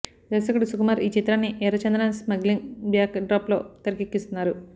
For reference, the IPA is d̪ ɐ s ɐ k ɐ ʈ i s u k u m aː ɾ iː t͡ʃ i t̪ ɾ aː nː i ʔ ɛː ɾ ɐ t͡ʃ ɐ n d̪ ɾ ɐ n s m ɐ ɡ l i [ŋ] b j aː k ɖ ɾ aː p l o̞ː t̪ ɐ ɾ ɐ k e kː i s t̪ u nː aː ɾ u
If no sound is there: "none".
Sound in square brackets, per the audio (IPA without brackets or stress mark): ŋ